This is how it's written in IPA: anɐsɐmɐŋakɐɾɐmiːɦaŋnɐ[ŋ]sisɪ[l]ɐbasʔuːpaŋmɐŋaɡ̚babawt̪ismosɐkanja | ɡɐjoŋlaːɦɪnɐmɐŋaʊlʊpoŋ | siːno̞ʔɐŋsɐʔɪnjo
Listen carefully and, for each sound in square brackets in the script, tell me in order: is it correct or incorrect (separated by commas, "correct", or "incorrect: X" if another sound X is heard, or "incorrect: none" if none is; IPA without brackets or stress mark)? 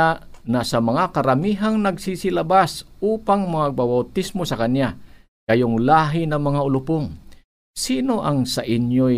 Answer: incorrect: ɡ, correct